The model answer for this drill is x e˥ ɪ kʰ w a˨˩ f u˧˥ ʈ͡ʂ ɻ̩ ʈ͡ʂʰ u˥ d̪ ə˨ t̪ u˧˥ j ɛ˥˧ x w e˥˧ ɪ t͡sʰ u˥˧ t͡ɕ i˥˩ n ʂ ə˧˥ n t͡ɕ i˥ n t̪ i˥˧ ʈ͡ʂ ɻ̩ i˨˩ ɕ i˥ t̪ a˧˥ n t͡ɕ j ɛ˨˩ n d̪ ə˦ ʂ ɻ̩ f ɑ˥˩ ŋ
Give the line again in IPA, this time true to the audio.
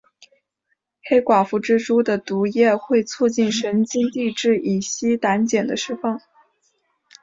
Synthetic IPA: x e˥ ɪ k w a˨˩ f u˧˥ ʈ͡ʂ ɻ̩ ʈ͡ʂ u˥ d̪ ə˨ t̪ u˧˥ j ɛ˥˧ x w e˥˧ ɪ t͡sʰ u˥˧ t͡ɕ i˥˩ n ʂ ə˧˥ n t͡ɕ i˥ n t̪ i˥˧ ʈ͡ʂ ɻ̩ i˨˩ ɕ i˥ t̪ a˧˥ n t͡ɕ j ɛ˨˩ n d̪ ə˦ ʂ ɻ̩ f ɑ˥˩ ŋ